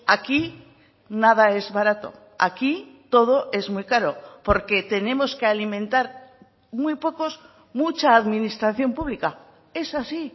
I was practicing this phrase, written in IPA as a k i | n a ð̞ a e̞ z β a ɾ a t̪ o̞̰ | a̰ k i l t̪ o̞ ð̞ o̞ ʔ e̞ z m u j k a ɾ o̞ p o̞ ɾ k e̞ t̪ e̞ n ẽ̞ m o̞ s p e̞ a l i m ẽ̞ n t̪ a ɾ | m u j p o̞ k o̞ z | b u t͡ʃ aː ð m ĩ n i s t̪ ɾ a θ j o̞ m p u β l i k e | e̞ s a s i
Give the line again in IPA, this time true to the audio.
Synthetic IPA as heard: a k i | n a ð̞ a e̞ z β a ɾ a t̪ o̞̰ | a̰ k i t̪ o̞ ð̞ o̞ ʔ e̞ z m u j k a ɾ o̞ p o̞ ɾ k e̞ t̪ e̞ n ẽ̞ m o̞ s k e̞ a l i m ẽ̞ n t̪ a ɾ | m u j p o̞ k o̞ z | m u t͡ʃ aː ð m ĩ n i s t̪ ɾ a θ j o̞ m p u β l i k a | e̞ s a s i

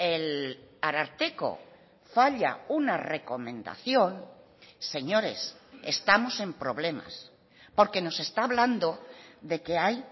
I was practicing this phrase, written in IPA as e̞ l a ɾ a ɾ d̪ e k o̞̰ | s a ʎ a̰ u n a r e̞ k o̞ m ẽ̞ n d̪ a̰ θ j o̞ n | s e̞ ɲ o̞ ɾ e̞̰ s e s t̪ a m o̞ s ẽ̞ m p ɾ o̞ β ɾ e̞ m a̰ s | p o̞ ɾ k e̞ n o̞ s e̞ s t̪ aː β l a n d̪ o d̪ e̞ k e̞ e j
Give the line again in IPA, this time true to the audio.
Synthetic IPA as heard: e̞ l a ɾ a ɾ t̪ e k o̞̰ | f a ʎ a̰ u n a r e̞ k o̞ m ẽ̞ n d̪ a̰ θ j o̞ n | s e̞ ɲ o̞ ɾ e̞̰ s e s t̪ a m o̞ s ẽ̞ m p ɾ o̞ β l e̞ m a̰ s | p o̞ ɾ k e̞ n o̞ s e̞ s t̪ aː β l a n d̪ o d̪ e̞ k e̞ a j

